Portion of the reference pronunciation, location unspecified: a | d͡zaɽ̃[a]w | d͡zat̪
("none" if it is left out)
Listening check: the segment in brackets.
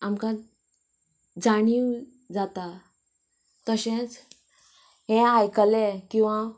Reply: i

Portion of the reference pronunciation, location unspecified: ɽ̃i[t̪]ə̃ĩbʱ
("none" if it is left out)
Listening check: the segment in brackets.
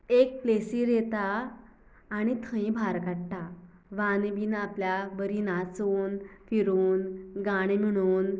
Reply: t̪ʰ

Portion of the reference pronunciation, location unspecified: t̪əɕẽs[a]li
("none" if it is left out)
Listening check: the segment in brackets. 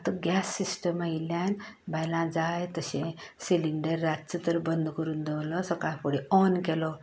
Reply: i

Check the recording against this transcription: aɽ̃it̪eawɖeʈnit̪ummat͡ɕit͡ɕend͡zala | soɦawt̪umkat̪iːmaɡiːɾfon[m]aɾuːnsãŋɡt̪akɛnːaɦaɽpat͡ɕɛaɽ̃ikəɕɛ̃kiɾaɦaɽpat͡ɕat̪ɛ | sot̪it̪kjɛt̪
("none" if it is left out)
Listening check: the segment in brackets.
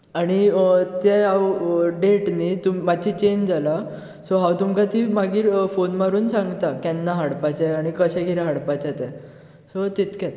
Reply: m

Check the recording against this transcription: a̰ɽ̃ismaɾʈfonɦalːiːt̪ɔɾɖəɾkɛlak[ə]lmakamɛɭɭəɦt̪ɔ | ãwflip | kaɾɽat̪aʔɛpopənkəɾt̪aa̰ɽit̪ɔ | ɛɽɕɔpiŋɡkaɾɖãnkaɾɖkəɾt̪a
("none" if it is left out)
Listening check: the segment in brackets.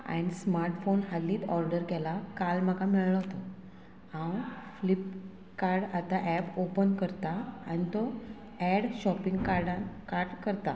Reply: a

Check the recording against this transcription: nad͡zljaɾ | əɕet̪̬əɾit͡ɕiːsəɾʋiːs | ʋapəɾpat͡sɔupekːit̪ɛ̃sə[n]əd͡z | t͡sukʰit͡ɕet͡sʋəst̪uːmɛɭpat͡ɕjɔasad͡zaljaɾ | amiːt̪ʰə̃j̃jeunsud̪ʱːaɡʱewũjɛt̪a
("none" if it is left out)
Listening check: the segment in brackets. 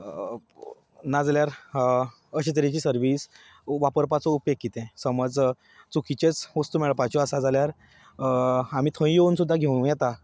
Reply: m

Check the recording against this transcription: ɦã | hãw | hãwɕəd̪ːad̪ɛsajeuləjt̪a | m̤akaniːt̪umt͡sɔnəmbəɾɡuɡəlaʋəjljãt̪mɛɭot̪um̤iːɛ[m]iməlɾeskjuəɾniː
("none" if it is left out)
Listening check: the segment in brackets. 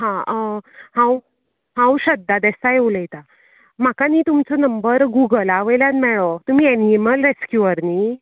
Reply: n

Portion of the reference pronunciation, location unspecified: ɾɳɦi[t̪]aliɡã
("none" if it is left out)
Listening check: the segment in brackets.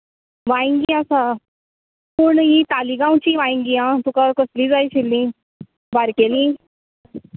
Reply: t̪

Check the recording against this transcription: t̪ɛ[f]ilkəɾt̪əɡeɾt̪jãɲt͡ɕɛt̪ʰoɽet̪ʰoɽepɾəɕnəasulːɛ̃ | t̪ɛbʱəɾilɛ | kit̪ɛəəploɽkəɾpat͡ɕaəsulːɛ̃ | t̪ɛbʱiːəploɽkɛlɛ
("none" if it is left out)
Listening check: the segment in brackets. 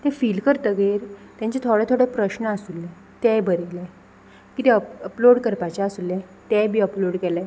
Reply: f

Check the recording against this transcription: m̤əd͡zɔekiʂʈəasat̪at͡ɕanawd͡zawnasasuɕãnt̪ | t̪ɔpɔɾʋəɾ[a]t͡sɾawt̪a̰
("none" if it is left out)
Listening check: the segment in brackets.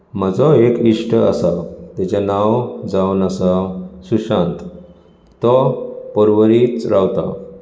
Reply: i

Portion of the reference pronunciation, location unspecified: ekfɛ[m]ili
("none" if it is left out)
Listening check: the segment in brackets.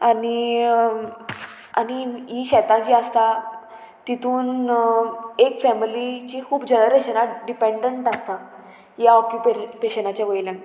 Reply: m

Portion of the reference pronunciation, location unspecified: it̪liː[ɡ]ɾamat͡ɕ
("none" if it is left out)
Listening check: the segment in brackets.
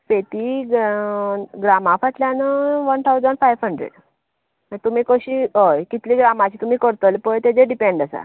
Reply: ɡ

